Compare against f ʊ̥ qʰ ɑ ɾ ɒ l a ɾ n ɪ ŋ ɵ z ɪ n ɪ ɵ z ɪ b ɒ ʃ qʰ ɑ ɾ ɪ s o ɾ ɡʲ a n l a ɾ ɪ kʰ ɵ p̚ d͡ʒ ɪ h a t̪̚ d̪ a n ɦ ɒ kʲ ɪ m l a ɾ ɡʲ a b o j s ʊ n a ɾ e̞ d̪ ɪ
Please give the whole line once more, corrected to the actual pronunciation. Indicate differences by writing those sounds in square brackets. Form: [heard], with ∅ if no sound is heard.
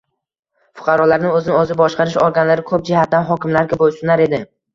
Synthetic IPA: f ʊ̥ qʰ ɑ ɾ ɒ l a ɾ n ɪ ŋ ɵ z ɪ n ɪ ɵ z ɪ b ɒ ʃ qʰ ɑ ɾ ɪ [ʃ] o ɾ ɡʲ a n l a ɾ ɪ kʰ ɵ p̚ d͡ʒ ɪ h a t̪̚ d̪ a n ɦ ɒ kʲ ɪ m l a ɾ ɡʲ a b o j s ʊ n a ɾ e̞ d̪ ɪ